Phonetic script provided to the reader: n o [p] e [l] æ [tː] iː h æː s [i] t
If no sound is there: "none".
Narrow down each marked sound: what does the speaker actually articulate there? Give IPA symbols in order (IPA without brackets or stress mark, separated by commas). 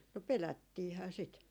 p, l, tː, i